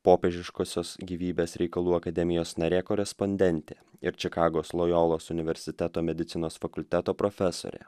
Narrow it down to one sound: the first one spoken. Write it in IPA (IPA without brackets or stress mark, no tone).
p